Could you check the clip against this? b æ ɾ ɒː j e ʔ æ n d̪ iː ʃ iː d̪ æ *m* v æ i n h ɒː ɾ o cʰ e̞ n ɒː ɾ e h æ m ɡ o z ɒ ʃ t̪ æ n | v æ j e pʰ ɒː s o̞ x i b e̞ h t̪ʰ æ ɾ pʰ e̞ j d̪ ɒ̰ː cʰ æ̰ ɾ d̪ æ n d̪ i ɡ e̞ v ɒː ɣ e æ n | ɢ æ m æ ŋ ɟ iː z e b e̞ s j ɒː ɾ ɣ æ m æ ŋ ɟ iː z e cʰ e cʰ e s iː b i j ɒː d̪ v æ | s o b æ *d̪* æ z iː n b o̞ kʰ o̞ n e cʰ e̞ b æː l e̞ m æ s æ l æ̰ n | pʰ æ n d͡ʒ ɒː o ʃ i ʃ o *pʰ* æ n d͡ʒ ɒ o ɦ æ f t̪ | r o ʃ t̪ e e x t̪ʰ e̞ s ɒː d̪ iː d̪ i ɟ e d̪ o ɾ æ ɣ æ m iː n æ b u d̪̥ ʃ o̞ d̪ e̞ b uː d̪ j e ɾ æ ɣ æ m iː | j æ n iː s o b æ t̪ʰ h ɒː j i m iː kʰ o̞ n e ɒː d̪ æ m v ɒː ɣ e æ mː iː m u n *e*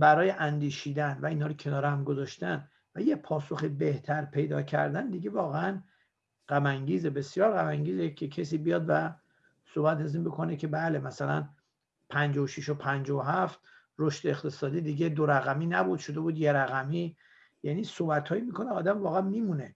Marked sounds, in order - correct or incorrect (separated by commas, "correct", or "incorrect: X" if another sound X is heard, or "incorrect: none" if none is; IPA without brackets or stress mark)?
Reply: incorrect: n, incorrect: t̪, correct, correct